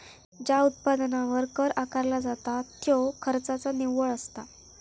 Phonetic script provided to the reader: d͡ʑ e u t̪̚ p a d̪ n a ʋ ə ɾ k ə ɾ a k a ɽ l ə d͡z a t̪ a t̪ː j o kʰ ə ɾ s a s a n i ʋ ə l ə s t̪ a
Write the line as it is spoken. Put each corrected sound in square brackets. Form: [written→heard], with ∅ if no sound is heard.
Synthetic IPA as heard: d͡ʑ [e→a] u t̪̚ p a d̪ n a ʋ ə ɾ k ə ɾ a k a [ɽ→ɾ] l [ə→a] d͡z a t̪ a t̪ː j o kʰ ə ɾ [s→t͡s] a [s→t͡s] a n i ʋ ə [l→ɭ] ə s t̪ a